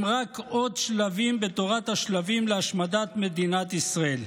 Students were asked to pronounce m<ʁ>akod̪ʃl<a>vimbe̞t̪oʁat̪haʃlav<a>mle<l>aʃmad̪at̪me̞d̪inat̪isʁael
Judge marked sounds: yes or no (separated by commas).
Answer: yes, yes, no, no